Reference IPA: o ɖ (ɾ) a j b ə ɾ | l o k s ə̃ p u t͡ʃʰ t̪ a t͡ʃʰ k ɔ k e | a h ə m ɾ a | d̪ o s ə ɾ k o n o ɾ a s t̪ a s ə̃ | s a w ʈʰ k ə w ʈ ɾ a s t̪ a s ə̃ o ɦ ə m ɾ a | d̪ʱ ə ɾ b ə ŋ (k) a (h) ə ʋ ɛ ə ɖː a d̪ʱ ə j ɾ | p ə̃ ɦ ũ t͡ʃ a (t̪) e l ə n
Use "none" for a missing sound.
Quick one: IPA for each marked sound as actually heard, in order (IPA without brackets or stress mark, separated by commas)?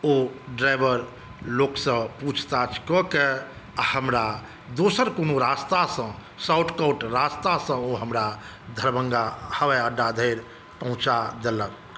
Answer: ɾ, ɡ, h, d̪